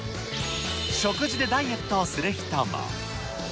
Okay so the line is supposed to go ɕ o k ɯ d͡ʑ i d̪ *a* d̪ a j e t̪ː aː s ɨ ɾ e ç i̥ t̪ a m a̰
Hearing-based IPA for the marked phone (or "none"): e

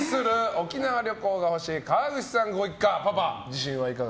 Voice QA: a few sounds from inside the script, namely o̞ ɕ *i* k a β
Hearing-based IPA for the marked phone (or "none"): iː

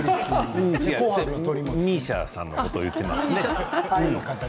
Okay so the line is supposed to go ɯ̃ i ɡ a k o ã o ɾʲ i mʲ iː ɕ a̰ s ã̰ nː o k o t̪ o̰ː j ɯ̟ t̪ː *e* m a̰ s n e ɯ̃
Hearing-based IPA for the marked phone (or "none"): e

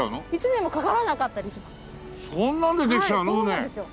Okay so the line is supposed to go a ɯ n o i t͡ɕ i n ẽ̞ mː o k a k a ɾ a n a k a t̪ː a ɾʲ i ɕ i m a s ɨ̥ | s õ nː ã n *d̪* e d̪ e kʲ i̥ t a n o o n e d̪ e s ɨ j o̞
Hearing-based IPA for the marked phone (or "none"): d̪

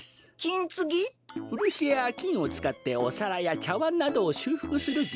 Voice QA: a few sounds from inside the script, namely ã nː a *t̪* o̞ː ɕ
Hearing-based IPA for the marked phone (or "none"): d̪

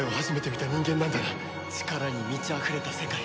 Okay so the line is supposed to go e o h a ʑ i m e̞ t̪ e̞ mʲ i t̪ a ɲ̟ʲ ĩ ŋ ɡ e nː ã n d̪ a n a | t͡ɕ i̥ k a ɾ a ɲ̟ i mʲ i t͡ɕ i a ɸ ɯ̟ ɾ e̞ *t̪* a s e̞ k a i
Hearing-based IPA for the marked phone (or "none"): t̪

